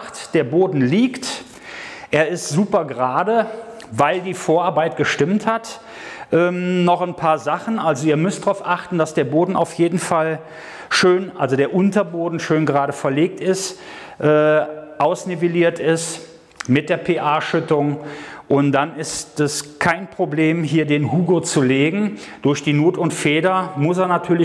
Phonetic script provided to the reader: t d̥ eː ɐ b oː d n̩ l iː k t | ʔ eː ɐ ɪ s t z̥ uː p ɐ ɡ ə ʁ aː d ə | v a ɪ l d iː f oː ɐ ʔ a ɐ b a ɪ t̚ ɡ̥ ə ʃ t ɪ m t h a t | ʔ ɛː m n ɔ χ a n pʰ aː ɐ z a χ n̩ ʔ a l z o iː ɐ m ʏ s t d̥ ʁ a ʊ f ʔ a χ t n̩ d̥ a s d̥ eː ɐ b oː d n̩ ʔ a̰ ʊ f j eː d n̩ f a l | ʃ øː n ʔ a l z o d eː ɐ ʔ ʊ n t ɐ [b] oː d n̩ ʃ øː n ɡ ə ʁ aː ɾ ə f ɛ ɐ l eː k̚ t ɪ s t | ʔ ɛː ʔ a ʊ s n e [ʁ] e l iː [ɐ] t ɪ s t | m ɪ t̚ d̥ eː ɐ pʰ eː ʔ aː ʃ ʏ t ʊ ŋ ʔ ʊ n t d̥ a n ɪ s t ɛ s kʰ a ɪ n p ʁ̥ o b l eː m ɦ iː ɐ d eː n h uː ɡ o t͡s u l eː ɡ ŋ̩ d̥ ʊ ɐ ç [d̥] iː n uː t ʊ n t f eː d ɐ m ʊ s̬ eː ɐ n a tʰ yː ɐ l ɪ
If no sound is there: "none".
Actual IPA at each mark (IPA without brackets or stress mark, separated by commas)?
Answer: b, v, ɐ, d̥